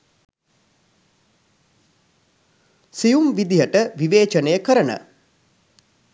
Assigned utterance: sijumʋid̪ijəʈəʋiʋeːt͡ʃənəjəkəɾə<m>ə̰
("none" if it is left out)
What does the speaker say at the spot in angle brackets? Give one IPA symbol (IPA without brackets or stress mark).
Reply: n